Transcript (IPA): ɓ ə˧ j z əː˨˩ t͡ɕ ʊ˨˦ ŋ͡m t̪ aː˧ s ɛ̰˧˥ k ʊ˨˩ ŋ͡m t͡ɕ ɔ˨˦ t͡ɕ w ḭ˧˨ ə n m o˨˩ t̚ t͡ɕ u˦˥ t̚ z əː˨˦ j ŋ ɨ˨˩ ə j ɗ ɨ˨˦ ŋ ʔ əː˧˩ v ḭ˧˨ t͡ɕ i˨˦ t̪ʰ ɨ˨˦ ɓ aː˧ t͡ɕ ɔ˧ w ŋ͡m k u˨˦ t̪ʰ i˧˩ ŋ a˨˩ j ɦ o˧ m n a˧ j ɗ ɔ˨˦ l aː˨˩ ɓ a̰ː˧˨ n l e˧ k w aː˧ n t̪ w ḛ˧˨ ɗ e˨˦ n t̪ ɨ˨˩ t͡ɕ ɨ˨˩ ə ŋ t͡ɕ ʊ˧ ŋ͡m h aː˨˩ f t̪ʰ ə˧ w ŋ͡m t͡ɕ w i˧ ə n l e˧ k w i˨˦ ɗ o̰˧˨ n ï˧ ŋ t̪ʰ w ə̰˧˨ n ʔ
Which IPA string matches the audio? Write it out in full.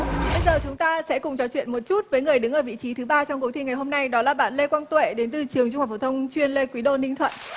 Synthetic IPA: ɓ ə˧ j z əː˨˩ t͡ɕ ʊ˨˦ ŋ͡m t̪ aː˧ s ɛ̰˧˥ k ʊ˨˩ ŋ͡m t͡ɕ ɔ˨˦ t͡ɕ w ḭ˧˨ ə n m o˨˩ t̚ t͡ɕ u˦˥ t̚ v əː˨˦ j ŋ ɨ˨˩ ə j ɗ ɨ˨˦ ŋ ʔ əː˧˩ v ḭ˧˨ t͡ɕ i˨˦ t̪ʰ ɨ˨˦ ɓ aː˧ t͡ɕ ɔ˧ w ŋ͡m k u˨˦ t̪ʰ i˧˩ ŋ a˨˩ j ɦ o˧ m n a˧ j ɗ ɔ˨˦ l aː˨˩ ɓ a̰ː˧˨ n l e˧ k w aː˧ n t̪ w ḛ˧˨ ɗ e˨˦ n t̪ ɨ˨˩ t͡ɕ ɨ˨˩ ə ŋ t͡ɕ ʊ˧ ŋ͡m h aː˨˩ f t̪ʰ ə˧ w ŋ͡m t͡ɕ w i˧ ə n l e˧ k w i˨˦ ɗ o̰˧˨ n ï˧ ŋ t̪ʰ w ə̰˧˨ n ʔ

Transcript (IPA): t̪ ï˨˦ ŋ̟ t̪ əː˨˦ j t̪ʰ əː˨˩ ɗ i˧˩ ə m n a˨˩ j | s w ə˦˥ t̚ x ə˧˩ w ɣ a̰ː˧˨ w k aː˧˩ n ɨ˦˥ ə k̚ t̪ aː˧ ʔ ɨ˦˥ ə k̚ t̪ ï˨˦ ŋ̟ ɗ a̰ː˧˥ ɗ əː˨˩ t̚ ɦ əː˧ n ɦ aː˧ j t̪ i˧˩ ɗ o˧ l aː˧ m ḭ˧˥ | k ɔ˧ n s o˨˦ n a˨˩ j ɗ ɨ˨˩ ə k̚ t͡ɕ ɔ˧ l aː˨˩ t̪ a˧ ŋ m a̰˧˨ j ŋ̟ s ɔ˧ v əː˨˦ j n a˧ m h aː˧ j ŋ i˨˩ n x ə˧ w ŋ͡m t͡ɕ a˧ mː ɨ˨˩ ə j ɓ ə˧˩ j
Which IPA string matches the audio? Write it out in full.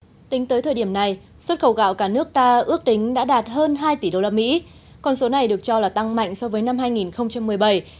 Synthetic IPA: t̪ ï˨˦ ŋ̟ t̪ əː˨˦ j t̪ʰ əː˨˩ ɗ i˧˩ ə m n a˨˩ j | s w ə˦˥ t̚ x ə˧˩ w ɣ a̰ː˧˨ w k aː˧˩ n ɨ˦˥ ə k̚ t̪ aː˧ ʔ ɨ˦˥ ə k̚ t̪ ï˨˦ ŋ̟ ɗ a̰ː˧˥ ɗ aː˨˩ t̚ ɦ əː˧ n ɦ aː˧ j t̪ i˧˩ ɗ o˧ l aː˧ m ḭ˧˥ | k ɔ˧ n s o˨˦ n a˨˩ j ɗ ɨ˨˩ ə k̚ t͡ɕ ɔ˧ l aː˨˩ t̪ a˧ ŋ m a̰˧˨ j ŋ̟ s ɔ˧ v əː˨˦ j n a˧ m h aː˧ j ŋ i˨˩ n x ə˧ w ŋ͡m t͡ɕ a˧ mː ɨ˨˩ ə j ɓ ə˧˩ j

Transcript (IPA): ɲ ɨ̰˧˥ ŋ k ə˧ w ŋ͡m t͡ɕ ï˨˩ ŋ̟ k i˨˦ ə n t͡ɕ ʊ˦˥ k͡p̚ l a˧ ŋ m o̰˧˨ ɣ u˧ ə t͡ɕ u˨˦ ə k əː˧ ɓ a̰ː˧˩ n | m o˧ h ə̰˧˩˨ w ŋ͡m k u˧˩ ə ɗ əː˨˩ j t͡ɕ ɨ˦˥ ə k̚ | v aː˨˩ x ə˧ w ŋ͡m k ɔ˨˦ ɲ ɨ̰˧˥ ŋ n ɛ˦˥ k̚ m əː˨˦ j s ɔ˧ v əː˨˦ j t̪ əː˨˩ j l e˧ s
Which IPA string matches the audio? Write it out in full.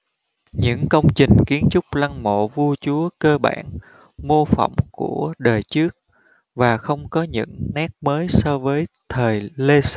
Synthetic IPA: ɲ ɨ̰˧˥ ŋ k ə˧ w ŋ͡m t͡ɕ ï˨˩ ŋ̟ k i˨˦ ə n t͡ɕ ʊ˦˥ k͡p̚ l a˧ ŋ m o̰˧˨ v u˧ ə t͡ɕ u˨˦ ə k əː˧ ɓ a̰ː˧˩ n | m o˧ f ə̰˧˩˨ w ŋ͡m k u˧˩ ə ɗ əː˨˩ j t͡ɕ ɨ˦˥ ə k̚ | v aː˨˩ x ə˧ w ŋ͡m k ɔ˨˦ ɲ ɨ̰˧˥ ŋ n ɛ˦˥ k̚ m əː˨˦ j s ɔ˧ v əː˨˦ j t̪ʰ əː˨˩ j l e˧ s

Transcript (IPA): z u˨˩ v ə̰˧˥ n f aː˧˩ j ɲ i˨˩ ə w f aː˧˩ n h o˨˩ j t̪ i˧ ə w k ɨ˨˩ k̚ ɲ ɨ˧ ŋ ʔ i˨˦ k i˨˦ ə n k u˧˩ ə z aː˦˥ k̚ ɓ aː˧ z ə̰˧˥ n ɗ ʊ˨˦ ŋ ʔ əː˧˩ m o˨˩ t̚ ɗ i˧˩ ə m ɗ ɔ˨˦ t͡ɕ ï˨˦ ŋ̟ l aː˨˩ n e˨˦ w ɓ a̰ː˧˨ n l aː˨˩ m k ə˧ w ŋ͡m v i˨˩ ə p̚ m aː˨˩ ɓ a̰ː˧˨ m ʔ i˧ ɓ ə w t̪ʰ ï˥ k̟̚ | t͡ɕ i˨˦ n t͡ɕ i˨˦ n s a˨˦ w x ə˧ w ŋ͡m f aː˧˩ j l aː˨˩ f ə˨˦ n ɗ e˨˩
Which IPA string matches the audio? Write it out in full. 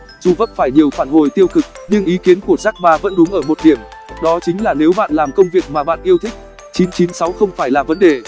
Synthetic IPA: z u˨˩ v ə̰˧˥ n f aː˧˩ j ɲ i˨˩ ə w f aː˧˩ n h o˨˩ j t̪ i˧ ə w k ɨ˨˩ k̚ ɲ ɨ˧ ŋ ʔ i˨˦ k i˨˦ ə n k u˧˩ ə z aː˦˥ k̚ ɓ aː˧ v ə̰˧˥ n ɗ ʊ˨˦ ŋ ʔ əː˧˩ m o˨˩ t̚ ɗ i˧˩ ə m ɗ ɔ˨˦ t͡ɕ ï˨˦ ŋ̟ l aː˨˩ n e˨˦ w ɓ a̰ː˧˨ n l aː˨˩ m k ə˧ w ŋ͡m v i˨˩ ə k̚ m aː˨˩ ɓ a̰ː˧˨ n ʔ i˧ ə w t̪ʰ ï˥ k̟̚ | t͡ɕ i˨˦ n t͡ɕ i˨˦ n s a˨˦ w x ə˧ w ŋ͡m f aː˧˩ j l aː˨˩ v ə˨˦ n ɗ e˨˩

